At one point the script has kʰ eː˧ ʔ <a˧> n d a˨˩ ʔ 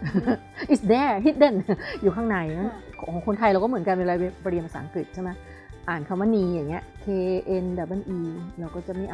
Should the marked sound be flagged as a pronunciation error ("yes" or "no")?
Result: yes